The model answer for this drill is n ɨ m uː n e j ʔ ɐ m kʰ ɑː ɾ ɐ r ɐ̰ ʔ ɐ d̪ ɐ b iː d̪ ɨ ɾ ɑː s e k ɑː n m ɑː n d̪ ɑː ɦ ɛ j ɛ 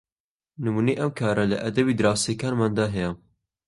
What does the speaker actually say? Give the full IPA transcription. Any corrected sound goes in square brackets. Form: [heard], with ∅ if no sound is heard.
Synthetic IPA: n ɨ m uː n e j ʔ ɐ m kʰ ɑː ɾ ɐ [l] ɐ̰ ʔ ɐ d̪ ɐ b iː d̪ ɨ ɾ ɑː s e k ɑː n m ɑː n d̪ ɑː ɦ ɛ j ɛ